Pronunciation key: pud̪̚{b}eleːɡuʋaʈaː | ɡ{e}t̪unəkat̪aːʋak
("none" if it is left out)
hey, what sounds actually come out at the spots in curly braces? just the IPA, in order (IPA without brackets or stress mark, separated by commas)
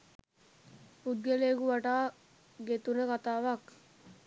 ɡ, e